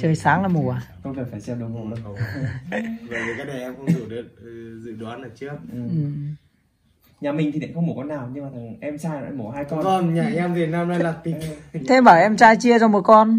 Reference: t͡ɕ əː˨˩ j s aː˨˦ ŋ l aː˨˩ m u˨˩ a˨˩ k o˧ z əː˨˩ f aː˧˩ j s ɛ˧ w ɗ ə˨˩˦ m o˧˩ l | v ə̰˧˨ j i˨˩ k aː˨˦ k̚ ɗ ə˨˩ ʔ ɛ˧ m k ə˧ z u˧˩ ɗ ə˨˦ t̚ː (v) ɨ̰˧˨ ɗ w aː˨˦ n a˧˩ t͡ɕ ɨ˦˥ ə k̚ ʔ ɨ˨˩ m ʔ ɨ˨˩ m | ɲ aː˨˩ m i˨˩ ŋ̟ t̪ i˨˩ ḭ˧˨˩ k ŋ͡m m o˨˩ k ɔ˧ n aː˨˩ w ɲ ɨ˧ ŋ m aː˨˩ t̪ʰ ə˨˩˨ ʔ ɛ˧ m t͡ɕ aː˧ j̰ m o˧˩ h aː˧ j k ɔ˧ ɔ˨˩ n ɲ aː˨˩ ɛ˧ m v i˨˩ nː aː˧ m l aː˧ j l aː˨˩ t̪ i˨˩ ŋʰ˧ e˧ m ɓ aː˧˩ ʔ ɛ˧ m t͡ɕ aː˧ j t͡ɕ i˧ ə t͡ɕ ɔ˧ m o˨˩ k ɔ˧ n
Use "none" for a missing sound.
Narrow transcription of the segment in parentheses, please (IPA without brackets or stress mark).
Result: z